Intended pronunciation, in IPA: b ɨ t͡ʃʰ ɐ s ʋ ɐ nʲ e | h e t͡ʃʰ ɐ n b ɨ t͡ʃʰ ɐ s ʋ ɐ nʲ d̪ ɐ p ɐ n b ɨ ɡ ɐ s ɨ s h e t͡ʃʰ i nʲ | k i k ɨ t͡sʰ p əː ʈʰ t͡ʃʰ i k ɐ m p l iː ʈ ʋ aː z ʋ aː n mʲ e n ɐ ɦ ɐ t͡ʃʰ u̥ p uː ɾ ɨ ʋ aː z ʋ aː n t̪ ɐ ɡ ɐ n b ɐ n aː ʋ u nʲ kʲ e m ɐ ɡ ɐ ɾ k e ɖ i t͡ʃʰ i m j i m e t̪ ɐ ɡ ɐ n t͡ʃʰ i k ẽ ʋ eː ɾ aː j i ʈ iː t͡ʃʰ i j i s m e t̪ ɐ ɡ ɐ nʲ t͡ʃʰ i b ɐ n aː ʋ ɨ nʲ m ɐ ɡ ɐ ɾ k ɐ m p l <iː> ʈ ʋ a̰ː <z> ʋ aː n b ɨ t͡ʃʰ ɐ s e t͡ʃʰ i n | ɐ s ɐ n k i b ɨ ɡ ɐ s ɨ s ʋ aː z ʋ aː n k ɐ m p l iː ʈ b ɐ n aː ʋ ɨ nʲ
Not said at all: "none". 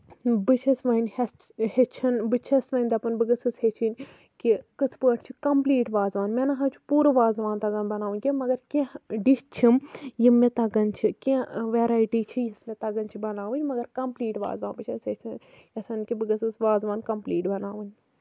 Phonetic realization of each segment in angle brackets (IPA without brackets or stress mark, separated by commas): iː, z